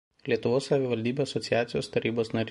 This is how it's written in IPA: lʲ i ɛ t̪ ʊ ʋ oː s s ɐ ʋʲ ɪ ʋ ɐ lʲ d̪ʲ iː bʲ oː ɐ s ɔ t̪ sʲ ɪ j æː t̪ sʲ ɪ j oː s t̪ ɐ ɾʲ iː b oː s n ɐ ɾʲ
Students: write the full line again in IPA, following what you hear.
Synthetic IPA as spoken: lʲ i ɛ t̪ ʊ ʋ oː s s ɐ ʋʲ ɪ ʋ ɐ lʲ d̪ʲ iː bʲ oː ɐ s ɔ t̪ sʲ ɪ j æː t̪ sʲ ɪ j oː s t̪ ɐ ɾʲ iː b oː s n ɐ ɾʲ